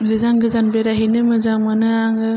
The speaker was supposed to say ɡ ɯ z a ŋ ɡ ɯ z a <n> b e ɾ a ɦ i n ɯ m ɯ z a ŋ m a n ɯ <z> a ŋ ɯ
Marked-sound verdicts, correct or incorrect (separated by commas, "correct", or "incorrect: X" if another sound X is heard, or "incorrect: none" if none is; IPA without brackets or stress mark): correct, incorrect: none